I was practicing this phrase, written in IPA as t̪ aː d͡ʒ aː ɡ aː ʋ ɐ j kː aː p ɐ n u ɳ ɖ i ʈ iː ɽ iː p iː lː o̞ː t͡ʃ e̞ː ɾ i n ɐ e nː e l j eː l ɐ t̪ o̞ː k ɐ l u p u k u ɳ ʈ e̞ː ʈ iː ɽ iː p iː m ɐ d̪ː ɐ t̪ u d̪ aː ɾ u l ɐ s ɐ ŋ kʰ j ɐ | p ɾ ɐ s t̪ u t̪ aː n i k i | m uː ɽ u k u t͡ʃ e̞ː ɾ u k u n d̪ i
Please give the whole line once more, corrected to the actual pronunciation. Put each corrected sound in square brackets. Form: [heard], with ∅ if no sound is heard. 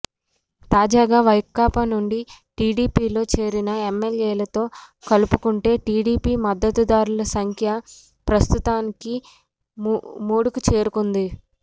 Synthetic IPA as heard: t̪ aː d͡ʒ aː ɡ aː ʋ ɐ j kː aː p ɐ n u ɳ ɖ i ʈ iː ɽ iː p iː [l] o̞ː t͡ʃ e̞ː ɾ i n ɐ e [mː] e l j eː l ɐ t̪ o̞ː k ɐ l u p u k u ɳ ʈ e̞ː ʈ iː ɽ iː p iː m ɐ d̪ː ɐ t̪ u d̪ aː ɾ u l ɐ s ɐ ŋ kʰ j ɐ | p ɾ ɐ s t̪ u t̪ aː n i k i | m uː ɽ u k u t͡ʃ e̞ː ɾ u k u n d̪ i

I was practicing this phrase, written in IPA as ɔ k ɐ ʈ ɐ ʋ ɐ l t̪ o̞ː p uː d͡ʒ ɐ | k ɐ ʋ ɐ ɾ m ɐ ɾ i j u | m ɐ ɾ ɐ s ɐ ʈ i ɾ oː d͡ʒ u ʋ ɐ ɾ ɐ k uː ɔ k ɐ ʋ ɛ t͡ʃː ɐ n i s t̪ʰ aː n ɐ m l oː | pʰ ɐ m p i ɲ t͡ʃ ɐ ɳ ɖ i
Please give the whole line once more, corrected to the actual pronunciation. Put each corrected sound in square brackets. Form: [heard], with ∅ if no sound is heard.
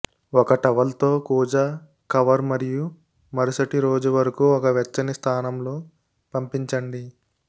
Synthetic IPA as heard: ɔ k ɐ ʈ ɐ ʋ ɐ l t̪ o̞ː [k] uː d͡ʒ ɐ | k ɐ ʋ ɐ ɾ m ɐ ɾ i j u | m ɐ ɾ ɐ s ɐ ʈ i ɾ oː d͡ʒ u ʋ ɐ ɾ ɐ k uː ɔ k ɐ ʋ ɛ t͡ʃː ɐ n i s t̪ʰ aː n ɐ m l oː | [p] ɐ m p i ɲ t͡ʃ ɐ ɳ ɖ i

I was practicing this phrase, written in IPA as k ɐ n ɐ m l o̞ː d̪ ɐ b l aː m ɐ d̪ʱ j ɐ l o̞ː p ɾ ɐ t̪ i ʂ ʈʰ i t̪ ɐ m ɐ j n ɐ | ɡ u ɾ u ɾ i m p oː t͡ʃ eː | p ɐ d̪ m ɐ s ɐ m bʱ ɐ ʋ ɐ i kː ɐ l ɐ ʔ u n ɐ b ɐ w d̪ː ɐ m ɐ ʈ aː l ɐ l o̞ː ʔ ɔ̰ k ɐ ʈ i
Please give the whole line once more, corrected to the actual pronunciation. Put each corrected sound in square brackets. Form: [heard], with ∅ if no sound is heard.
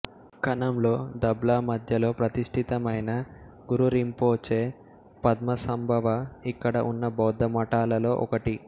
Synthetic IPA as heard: k ɐ n ɐ m l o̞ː d̪ ɐ b l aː m ɐ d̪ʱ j ɐ l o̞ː p ɾ ɐ t̪ i ʂ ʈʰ i t̪ ɐ m ɐ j n ɐ | ɡ u ɾ u ɾ i m p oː t͡ʃ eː | p ɐ d̪ m ɐ s ɐ m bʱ ɐ ʋ ɐ i kː ɐ [ɽ] ɐ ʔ u [nː] ɐ b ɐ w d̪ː ɐ m ɐ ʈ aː l ɐ l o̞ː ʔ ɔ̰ k ɐ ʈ i

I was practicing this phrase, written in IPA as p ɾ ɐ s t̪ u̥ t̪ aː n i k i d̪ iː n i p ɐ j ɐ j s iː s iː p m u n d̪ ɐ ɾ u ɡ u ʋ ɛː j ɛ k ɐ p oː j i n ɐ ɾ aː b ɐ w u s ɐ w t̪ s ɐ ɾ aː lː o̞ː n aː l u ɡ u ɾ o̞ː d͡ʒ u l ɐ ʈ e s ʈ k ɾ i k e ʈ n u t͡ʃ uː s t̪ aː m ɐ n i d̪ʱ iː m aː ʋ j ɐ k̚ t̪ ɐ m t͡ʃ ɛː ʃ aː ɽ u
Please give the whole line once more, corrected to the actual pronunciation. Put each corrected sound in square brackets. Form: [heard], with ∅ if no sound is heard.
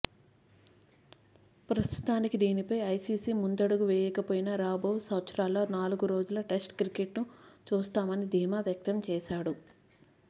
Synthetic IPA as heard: p ɾ ɐ s t̪ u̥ t̪ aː n i k i d̪ iː n i p ɐ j ɐ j s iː s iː [∅] m u n d̪ ɐ [ɽ] u ɡ u ʋ ɛː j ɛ k ɐ p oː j i n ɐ ɾ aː b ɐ w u s ɐ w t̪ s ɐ ɾ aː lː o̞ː n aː l u ɡ u ɾ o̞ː d͡ʒ u l ɐ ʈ e s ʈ k ɾ i k e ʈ n u t͡ʃ uː s t̪ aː m ɐ n i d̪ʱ iː m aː ʋ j ɐ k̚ t̪ ɐ m t͡ʃ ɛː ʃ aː ɽ u

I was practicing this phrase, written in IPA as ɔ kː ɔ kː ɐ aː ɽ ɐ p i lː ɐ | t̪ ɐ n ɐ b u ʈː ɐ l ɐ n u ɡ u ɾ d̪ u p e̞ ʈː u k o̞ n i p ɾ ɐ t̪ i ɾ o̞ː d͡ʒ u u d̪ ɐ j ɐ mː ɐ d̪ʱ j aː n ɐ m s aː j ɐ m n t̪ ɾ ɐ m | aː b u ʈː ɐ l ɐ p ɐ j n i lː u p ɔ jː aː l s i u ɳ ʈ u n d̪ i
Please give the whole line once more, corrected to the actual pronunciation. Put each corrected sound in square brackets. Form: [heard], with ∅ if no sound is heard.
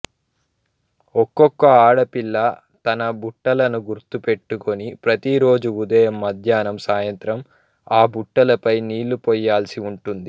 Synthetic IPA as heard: ɔ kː ɔ kː ɐ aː ɽ ɐ p i lː ɐ | t̪ ɐ n ɐ b u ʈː ɐ l ɐ n u ɡ u ɾ [t̪] u p e̞ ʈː u k o̞ n i p ɾ ɐ t̪ i ɾ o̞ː d͡ʒ u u d̪ ɐ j ɐ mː ɐ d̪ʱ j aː n ɐ m s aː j ɐ [∅] n t̪ ɾ ɐ m | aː b u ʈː ɐ l ɐ p ɐ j n [iː] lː u p ɔ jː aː l s i u ɳ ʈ u n d̪ i

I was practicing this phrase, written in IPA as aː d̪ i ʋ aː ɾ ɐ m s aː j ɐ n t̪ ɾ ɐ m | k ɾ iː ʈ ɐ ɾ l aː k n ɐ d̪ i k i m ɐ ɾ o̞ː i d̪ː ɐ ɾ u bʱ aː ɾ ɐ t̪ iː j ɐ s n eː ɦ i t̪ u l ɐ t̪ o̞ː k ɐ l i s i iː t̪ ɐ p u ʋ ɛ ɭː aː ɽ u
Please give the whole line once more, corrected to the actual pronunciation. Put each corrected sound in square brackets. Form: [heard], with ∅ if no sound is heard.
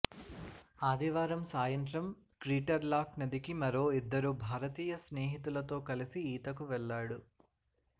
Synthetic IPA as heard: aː d̪ i ʋ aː ɾ ɐ m s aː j ɐ n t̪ ɾ ɐ m | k ɾ iː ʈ ɐ ɾ l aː k n ɐ d̪ i k i m ɐ ɾ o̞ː i d̪ː ɐ ɾ u bʱ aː ɾ ɐ t̪ iː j ɐ s n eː ɦ i t̪ u l ɐ t̪ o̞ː k ɐ l i s i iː t̪ ɐ [k] u ʋ ɛ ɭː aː ɽ u

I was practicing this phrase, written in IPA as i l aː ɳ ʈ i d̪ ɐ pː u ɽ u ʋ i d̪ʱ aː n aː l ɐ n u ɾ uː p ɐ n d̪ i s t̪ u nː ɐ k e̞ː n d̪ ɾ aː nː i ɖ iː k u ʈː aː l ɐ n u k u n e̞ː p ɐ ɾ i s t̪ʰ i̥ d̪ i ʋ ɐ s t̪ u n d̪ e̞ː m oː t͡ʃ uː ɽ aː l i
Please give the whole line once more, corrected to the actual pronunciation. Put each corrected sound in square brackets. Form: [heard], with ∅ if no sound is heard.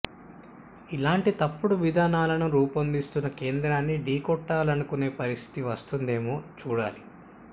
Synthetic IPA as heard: i l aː ɳ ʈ i [t̪] ɐ pː u ɽ u ʋ i d̪ʱ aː n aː l ɐ n u ɾ uː p ɐ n d̪ i s t̪ u nː ɐ k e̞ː n d̪ ɾ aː nː i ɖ iː k [ɔ] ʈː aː l ɐ n u k u n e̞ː p ɐ ɾ i s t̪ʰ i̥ [t̪] i ʋ ɐ s t̪ u n d̪ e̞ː m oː t͡ʃ uː ɽ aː l i

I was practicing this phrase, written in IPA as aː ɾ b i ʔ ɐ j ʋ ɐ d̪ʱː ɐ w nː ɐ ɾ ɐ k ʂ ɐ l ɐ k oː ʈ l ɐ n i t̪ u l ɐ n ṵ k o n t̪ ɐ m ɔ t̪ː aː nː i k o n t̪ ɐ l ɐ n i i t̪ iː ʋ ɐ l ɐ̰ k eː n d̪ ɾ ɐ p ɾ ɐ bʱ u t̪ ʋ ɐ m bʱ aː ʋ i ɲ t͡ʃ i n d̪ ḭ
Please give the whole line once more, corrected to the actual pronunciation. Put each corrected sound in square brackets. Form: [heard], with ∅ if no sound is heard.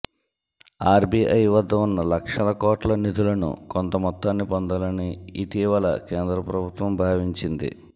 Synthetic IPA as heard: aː ɾ b i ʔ ɐ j ʋ ɐ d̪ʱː ɐ [u] nː ɐ [l] ɐ k ʂ ɐ l ɐ k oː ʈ l ɐ n i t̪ u l ɐ n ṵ k o n t̪ ɐ m ɔ t̪ː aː nː i [p] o n [d̪] ɐ l ɐ n i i t̪ iː ʋ ɐ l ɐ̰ k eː n d̪ ɾ ɐ p ɾ ɐ bʱ u t̪ ʋ ɐ m bʱ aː ʋ i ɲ t͡ʃ i n d̪ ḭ

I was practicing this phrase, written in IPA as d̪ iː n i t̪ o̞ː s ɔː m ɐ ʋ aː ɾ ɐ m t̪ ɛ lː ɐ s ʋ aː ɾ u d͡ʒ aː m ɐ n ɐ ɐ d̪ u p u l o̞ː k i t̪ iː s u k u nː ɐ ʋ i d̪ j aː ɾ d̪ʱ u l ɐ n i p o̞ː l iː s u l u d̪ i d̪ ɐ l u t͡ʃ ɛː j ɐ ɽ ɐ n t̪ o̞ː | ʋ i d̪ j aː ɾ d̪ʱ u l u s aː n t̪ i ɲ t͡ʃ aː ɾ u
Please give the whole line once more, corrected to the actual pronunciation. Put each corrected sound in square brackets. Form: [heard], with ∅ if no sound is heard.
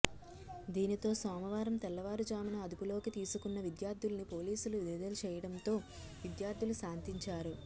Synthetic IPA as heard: d̪ iː n i t̪ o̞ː s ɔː m ɐ ʋ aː ɾ ɐ m t̪ ɛ lː ɐ [∅] ʋ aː ɾ u d͡ʒ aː m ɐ n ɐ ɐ d̪ u p u l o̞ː k i t̪ iː s u k u nː ɐ ʋ i d̪ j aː ɾ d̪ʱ u l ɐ n i p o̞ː l iː s u l u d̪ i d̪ ɐ l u t͡ʃ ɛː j ɐ ɽ ɐ n t̪ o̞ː | ʋ i d̪ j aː ɾ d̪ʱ u l u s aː n t̪ i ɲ t͡ʃ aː ɾ u

